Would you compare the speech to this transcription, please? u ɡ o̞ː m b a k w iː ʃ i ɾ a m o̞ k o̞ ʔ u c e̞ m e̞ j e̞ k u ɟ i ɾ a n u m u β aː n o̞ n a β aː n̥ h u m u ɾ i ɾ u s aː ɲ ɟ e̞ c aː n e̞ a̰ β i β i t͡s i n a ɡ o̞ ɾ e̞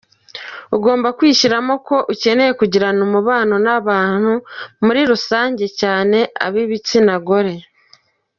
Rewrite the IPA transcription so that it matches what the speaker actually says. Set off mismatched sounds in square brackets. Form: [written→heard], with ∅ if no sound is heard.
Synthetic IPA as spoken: u ɡ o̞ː m b a k w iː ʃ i ɾ a m o̞ k o̞ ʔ u c e̞ [m→n] e̞ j e̞ k u ɟ i ɾ a n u m u β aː n o̞ n a β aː n̥ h u m u ɾ i ɾ u s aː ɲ ɟ e̞ c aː n e̞ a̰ β i β i t͡s i n a ɡ o̞ ɾ e̞